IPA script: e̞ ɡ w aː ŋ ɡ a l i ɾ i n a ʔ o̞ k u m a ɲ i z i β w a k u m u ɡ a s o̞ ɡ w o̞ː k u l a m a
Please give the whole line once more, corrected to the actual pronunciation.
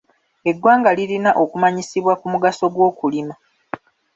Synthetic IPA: e̞ ɡ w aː ŋ ɡ a l i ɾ i n a ʔ o̞ k u m a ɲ i s i β w a k u m u ɡ a s o̞ ɡ w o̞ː k u l i m a